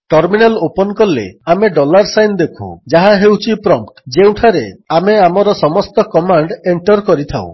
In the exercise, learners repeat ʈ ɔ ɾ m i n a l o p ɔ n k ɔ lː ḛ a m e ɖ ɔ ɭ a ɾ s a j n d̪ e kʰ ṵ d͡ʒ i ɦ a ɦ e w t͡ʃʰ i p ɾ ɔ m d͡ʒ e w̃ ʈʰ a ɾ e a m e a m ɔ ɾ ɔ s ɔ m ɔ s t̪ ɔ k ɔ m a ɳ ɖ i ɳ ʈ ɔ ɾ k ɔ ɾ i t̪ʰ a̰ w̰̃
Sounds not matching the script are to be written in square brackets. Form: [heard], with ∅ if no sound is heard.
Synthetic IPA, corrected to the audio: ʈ ɔ ɾ m i n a l o p ɔ n k ɔ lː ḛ a m e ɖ ɔ [l] a ɾ s a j n d̪ e kʰ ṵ d͡ʒ [a] ɦ a ɦ e w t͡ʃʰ i p ɾ ɔ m d͡ʒ e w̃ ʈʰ a ɾ e a m e a m ɔ ɾ ɔ s ɔ m ɔ s t̪ ɔ k ɔ m a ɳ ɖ [e] ɳ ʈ ɔ ɾ k ɔ ɾ i t̪ʰ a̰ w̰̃

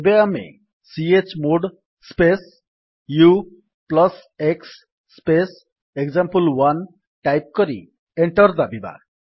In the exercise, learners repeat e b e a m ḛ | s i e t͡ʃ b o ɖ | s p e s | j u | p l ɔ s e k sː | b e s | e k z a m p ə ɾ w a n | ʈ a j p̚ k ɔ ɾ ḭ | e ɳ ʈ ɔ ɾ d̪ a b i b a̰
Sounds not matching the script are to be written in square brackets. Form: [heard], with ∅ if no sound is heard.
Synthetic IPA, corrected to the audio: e b e a m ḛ | s i e t͡ʃ [m] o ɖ | s p e s | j u | p l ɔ s e k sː | [p] e s | e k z a m p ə [l] w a n | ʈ a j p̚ k ɔ ɾ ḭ | e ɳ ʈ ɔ ɾ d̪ a b i b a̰

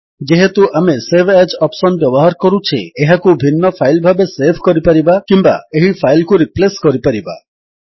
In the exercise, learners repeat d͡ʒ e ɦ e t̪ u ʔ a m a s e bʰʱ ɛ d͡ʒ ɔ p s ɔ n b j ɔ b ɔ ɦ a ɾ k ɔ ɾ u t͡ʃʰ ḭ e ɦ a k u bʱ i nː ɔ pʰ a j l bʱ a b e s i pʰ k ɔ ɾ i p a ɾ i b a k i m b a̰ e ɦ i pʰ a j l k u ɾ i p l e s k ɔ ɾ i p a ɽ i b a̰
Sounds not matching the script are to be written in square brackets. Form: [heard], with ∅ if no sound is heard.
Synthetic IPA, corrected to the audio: d͡ʒ e ɦ e t̪ u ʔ a m [e] s e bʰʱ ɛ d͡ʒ ɔ p s ɔ n b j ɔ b ɔ ɦ a ɾ k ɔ ɾ u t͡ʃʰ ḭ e ɦ a k u bʱ i nː ɔ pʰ a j l bʱ a b e s [e] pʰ k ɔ ɾ i p a ɾ i b a k i m b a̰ e ɦ i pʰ a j l k u ɾ i p l e s k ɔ ɾ i p a [ɾ] i b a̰

